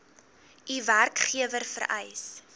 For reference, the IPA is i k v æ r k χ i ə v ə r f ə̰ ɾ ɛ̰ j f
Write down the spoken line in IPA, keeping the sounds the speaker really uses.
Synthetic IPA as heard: i v æ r k χ i ə v ə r f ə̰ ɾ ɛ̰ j s